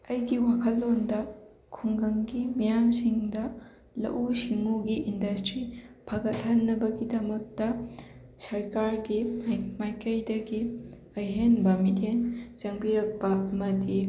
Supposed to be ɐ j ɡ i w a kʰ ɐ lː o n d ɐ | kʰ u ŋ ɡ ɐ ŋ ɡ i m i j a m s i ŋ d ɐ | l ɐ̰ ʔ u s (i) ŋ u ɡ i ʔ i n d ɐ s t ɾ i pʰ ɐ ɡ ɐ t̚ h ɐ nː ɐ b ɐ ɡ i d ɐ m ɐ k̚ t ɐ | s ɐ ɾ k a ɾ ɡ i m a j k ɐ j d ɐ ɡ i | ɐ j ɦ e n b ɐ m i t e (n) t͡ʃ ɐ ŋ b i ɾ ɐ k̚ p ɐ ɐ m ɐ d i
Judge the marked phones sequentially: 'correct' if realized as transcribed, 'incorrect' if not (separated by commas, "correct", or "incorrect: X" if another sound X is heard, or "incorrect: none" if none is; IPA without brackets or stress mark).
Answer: correct, correct